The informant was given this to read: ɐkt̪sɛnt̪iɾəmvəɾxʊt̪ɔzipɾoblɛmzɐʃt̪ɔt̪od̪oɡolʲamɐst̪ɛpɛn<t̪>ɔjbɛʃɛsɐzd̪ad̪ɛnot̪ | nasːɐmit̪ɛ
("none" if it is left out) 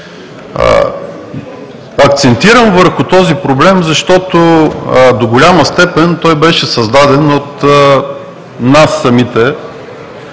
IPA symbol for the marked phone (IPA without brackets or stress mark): t̪